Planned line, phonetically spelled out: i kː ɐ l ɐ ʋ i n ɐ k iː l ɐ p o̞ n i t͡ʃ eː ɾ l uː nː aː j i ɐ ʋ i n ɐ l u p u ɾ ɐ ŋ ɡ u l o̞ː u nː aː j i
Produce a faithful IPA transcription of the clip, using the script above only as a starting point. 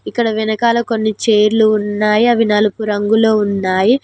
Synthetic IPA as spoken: i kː ɐ ɽ ɐ ʋ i n ɐ k aː l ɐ k o̞ nː i t͡ʃ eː ɾ l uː nː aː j i ɐ ʋ i n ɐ l u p u ɾ ɐ ŋ ɡ u l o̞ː u nː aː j i